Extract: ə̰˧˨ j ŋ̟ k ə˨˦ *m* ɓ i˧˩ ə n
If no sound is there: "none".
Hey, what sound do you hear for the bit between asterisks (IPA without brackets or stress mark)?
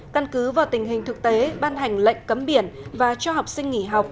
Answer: m